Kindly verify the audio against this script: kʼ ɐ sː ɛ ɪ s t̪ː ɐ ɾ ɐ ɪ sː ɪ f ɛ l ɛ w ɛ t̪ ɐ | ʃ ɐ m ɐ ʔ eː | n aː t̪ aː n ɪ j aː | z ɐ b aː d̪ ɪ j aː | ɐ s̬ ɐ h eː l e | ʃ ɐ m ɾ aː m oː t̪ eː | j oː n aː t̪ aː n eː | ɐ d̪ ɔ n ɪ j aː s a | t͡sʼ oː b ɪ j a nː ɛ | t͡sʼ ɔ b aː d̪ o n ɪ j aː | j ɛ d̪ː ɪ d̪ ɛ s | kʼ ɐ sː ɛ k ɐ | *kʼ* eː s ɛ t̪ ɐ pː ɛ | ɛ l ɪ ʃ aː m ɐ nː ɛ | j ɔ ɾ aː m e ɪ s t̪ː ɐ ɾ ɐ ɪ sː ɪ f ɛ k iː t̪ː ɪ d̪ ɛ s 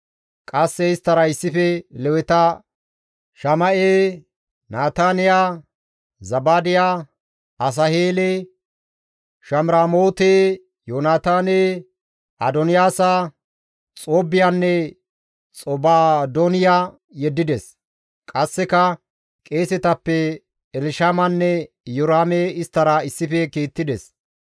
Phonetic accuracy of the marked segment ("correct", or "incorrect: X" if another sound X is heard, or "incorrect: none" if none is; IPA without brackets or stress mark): correct